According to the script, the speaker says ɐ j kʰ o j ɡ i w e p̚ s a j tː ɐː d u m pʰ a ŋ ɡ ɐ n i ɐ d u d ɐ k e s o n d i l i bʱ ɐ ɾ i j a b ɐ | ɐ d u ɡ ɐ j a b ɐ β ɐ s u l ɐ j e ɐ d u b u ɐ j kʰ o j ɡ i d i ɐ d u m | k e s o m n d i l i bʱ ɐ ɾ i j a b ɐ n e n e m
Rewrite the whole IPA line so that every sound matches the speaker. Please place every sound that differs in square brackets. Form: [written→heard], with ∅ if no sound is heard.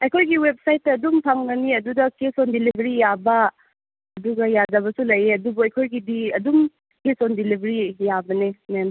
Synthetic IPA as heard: ɐ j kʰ o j ɡ i w e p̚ s a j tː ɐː d u m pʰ a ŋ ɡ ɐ n i ɐ d u d ɐ k e s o n d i l i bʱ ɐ ɾ i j a b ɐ | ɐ d u ɡ ɐ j a [b→d] ɐ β ɐ s u l ɐ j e ɐ d u b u ɐ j kʰ o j ɡ i d i ɐ d u m | k e s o [m→∅] n d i l i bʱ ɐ ɾ i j a b ɐ n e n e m